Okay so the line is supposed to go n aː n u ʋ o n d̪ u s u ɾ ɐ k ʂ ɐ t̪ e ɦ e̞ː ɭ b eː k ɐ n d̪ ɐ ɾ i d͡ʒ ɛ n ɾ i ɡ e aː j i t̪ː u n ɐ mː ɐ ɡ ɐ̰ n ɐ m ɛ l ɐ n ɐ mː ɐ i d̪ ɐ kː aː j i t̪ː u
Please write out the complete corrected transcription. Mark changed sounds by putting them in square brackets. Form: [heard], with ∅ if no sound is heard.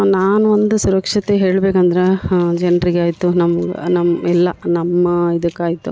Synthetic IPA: n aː n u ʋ o n d̪ u s u ɾ ɐ k ʂ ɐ t̪ e ɦ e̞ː ɭ b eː k ɐ n d̪ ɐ ɾ [e] d͡ʒ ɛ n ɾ i ɡ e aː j i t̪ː u n ɐ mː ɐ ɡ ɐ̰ n ɐ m ɛ [lː] ɐ n ɐ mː ɐ i d̪ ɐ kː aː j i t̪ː u